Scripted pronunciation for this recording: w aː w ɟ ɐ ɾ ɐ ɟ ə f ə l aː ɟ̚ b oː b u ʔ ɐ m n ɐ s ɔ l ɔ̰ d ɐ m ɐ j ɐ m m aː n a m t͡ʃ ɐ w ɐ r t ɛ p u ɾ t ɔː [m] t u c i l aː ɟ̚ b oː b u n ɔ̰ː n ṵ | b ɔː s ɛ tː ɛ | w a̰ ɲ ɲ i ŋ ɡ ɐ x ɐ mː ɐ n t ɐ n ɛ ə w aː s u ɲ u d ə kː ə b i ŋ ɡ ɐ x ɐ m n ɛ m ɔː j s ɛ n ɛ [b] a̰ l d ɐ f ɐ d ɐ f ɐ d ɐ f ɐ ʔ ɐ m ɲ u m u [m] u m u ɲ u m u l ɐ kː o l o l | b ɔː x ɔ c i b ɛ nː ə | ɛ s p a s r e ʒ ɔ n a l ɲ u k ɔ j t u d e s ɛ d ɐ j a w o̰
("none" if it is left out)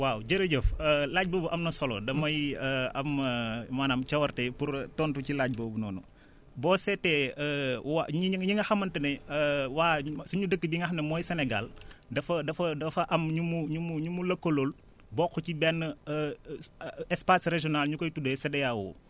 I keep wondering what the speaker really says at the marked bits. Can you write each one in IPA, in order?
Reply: n, ɡ, ɲ

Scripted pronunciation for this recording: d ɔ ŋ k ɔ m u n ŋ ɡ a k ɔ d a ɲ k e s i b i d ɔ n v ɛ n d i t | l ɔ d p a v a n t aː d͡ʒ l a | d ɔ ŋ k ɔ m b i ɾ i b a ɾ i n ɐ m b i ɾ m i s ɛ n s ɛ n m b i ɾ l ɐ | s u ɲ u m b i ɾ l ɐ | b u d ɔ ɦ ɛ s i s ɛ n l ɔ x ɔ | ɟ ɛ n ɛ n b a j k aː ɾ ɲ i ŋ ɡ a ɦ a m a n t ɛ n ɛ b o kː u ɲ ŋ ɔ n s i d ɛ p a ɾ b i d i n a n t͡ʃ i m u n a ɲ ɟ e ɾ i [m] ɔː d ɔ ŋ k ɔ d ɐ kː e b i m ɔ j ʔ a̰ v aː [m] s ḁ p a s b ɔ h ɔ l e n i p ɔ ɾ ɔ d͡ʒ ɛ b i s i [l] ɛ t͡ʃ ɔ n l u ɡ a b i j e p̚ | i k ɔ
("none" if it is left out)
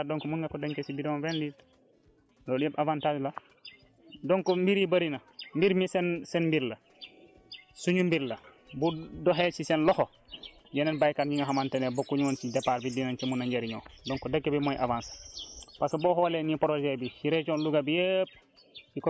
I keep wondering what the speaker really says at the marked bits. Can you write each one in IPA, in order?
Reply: ɲ, n, ɾ

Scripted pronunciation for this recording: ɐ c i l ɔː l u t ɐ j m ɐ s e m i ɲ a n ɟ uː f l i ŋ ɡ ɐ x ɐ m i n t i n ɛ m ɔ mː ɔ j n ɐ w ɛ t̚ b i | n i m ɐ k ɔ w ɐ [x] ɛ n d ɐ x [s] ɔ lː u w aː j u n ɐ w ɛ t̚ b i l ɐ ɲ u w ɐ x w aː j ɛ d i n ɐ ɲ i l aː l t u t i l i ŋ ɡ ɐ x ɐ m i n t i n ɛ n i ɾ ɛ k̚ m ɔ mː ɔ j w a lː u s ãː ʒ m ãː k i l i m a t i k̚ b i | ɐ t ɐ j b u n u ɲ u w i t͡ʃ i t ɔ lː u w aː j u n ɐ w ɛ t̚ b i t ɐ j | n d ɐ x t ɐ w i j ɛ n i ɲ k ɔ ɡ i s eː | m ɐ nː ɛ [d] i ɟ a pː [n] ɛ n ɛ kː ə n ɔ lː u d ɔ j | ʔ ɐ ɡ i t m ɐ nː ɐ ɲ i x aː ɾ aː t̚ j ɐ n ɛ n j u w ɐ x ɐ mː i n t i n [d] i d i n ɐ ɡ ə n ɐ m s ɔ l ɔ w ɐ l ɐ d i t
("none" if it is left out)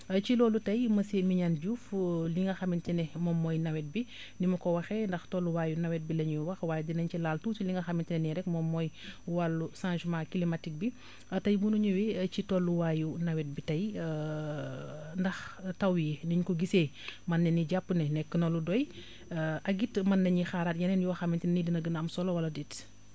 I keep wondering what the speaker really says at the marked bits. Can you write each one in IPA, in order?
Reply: x, t, n, n, n

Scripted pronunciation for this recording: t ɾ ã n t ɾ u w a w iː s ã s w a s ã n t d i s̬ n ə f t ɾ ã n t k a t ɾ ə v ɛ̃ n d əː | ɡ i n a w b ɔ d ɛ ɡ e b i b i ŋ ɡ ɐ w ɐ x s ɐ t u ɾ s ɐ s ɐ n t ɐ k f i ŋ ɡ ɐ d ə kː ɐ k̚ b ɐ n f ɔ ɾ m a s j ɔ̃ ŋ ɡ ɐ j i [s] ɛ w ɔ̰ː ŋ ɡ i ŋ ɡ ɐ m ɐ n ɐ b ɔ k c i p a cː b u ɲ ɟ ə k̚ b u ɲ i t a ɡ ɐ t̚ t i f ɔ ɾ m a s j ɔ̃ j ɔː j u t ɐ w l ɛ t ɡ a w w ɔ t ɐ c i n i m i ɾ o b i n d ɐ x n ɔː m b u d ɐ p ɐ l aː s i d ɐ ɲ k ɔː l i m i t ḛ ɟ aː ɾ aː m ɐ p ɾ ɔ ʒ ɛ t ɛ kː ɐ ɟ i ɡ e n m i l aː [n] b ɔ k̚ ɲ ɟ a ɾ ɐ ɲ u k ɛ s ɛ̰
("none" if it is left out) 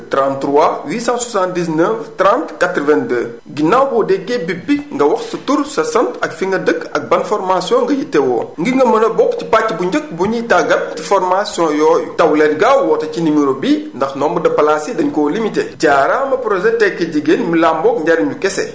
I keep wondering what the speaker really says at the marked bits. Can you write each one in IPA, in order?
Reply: t, m

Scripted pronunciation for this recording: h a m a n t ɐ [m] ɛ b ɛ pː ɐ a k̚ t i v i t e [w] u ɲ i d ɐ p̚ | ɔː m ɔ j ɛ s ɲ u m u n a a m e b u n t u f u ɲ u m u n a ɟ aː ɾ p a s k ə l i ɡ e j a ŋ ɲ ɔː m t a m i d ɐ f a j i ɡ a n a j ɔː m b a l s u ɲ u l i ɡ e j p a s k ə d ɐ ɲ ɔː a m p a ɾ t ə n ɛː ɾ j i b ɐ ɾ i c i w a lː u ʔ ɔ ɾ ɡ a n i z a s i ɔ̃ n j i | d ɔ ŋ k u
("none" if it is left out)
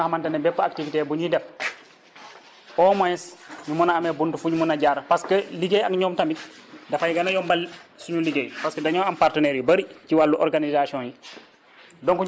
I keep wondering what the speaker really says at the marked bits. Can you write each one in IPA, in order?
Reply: n, b

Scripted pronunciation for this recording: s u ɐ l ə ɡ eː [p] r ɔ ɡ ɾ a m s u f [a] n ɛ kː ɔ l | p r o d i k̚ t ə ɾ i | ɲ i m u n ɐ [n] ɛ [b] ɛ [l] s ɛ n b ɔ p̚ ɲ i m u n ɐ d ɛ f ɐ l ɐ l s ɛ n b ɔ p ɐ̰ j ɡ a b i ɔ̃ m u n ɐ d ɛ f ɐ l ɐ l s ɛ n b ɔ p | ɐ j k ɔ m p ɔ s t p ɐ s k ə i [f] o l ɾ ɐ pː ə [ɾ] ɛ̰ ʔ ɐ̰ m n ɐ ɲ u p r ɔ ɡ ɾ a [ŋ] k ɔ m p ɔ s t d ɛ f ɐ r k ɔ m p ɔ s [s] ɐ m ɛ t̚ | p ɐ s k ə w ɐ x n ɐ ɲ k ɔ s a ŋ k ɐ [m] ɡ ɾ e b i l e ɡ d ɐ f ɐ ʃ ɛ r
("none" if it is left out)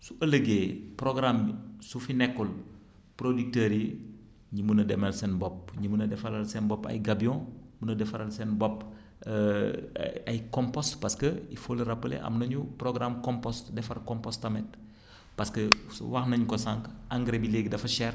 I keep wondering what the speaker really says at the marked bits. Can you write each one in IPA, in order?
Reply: p, i, d, m, l, f, l, m, t, ŋ

